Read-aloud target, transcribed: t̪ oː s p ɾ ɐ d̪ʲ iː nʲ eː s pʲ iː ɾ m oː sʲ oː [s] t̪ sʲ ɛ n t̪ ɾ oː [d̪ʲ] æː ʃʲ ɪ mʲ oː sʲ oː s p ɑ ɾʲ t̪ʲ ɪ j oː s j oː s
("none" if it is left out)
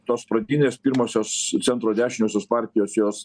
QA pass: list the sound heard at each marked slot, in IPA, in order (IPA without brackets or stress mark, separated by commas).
s, d̪ʲ